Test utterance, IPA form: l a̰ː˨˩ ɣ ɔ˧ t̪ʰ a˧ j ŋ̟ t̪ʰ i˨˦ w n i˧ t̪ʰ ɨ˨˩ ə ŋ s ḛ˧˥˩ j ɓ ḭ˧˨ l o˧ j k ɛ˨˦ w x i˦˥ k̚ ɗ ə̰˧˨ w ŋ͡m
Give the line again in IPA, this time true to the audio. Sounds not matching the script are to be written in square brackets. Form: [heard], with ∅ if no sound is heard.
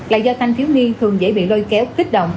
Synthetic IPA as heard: l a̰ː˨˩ [z] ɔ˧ t̪ʰ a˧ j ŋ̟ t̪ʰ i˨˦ w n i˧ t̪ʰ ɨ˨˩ ə ŋ [z] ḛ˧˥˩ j ɓ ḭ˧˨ l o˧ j k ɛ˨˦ w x i˦˥ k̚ ɗ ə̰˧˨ w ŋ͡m